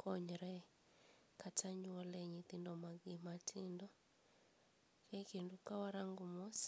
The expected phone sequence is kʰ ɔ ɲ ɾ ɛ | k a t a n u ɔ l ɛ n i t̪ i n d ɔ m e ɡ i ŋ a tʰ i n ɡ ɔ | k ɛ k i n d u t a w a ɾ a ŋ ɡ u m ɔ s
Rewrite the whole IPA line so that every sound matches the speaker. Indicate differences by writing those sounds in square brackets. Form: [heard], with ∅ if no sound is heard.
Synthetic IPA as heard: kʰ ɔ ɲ ɾ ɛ | k a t a [ɲ] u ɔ l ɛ [ɲ] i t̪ i n d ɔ m [a] ɡ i [m] a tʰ i n [d] ɔ | k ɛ k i n d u [k] a w a ɾ a ŋ ɡ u m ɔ s